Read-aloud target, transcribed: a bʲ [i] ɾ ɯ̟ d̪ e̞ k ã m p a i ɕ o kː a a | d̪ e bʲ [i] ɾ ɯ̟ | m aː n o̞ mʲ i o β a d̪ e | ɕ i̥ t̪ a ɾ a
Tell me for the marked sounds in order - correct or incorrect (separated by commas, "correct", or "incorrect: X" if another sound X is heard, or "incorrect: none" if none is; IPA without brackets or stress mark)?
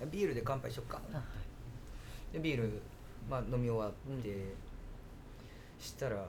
incorrect: iː, incorrect: iː